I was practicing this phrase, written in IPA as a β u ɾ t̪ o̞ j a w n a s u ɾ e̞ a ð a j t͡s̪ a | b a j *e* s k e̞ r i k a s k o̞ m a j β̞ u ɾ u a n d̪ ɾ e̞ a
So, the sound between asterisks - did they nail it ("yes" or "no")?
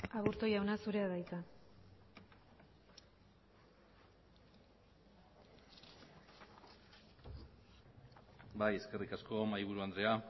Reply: yes